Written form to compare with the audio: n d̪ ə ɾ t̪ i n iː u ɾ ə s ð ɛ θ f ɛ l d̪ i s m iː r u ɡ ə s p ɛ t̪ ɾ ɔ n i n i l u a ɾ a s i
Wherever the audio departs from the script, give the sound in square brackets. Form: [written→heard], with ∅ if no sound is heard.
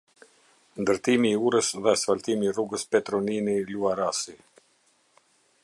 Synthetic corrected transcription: n d̪ ə ɾ t̪ i [n→m] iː u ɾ ə s ð ɛ [θ→s] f [ɛ→a] l [d̪→t̪] i [s→∅] m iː r u ɡ ə s p ɛ t̪ ɾ ɔ n i n i l u a ɾ a s i